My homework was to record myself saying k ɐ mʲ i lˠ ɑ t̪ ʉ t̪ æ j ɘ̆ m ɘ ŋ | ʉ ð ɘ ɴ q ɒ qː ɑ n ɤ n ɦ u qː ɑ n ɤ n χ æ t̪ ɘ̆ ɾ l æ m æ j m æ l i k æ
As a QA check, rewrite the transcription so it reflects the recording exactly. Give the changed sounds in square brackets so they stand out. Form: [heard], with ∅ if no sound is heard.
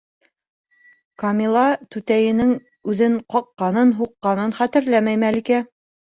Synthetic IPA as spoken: k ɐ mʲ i lˠ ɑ t̪ ʉ t̪ æ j ɘ̆ [n] ɘ ŋ | ʉ ð ɘ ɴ q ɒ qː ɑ n ɤ n ɦ u qː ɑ n ɤ n χ æ t̪ ɘ̆ ɾ l æ m æ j m æ l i k æ